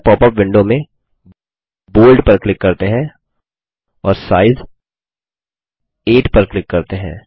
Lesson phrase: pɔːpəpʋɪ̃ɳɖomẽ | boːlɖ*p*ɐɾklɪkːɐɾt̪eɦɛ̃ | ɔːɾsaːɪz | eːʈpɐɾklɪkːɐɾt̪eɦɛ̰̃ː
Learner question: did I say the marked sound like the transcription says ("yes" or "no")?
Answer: yes